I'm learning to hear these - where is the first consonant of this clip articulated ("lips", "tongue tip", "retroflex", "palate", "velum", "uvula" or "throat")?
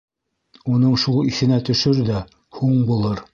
tongue tip